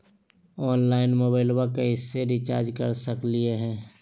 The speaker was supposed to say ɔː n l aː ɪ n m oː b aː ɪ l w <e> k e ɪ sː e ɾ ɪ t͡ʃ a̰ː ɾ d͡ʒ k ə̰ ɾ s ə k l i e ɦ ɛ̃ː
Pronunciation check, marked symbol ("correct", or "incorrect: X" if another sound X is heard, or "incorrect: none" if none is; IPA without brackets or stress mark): incorrect: a